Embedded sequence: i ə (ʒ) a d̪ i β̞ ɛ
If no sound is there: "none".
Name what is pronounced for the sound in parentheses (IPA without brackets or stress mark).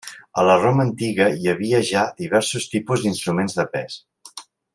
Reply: ʒ